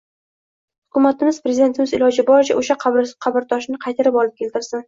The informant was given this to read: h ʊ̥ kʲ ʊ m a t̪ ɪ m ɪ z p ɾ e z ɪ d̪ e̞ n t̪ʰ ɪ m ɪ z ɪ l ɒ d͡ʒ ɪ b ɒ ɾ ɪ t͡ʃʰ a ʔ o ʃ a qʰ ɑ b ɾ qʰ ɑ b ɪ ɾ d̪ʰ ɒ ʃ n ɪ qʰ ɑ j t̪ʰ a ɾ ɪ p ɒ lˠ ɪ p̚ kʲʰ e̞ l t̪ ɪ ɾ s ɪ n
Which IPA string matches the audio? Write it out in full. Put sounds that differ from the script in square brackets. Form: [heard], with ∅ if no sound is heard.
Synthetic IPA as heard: h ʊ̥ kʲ ʊ m a t̪ ɪ m ɪ z p ɾ e z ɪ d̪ e̞ n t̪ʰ ɪ m ɪ z ɪ l ɒ d͡ʒ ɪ b ɒ ɾ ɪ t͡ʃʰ a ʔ o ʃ a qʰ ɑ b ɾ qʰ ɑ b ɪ ɾ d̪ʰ ɒ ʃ n ɪ qʰ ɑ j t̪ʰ a ɾ ɪ p ɒ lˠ ɪ p̚ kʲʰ e̞ l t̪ ɪ ɾ s ɪ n